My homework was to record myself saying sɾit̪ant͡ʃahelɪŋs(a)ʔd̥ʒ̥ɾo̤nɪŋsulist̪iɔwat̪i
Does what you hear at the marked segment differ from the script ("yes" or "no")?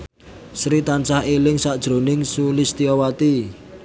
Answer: no